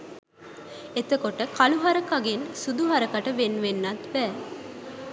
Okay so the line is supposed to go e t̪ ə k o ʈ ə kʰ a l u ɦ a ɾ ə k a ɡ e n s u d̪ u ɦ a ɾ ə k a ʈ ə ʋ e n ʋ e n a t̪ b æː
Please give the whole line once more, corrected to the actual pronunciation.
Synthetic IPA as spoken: e t̪ ə k o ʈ ə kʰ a l u ɦ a ɾ ə k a ɡ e n s u d̪ u ɦ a ɾ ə k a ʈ ə ʋ e n ʋ e nː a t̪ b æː